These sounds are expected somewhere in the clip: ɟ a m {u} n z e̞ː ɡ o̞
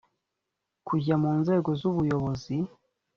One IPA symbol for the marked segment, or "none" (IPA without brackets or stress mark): uː